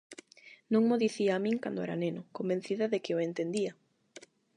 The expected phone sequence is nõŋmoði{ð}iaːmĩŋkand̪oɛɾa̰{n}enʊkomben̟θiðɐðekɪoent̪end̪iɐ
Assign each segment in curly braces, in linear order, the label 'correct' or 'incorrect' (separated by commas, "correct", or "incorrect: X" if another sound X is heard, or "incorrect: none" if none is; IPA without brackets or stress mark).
incorrect: θ, correct